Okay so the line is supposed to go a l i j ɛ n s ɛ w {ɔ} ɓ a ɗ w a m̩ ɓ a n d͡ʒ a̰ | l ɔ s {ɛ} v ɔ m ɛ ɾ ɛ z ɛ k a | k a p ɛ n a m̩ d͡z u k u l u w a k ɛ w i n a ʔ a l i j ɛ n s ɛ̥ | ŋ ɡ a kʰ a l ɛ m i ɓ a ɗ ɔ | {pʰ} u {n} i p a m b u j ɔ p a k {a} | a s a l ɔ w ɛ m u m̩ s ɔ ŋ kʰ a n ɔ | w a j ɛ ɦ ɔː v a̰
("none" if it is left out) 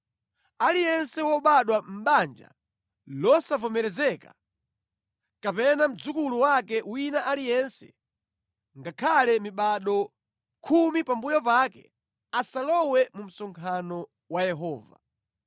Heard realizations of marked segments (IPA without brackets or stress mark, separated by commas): ɔ, a, kʰ, m, ɛ